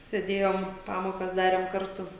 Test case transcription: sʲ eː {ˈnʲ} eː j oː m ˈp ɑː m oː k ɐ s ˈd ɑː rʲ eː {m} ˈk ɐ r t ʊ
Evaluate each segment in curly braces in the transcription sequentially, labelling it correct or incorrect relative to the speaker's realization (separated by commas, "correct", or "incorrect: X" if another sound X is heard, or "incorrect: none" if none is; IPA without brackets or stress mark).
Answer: incorrect: dʲ, correct